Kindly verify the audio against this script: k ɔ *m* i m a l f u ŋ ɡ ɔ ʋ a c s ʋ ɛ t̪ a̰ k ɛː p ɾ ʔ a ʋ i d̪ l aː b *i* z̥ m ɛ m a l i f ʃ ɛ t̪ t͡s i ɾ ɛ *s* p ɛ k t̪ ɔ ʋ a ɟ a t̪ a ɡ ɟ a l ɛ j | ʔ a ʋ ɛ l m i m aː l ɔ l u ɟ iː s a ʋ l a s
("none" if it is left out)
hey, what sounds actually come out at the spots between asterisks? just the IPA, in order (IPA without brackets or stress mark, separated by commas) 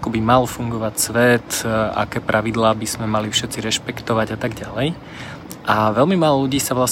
b, i, ʃ